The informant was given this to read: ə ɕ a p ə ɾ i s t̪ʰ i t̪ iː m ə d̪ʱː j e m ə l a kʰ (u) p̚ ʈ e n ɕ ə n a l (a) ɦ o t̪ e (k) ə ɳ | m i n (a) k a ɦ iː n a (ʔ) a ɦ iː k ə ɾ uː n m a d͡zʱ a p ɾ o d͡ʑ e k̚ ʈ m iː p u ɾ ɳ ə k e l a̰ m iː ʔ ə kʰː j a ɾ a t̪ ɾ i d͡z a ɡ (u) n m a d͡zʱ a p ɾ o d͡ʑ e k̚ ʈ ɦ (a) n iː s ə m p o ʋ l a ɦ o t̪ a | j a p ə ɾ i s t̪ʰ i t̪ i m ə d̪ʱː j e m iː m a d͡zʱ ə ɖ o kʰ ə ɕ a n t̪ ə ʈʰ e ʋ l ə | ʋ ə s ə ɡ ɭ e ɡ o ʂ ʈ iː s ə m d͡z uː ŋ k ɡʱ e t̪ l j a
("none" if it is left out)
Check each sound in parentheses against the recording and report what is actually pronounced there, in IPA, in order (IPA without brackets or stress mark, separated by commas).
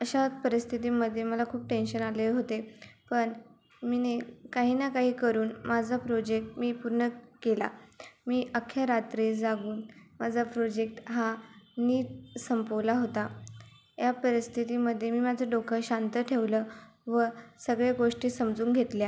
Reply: uː, e, p, e, k, uː, a